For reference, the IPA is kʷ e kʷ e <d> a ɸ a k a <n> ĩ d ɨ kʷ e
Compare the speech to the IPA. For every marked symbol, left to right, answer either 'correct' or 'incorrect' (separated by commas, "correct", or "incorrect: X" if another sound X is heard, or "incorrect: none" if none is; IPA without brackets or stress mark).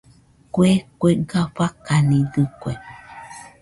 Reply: incorrect: ɡ, correct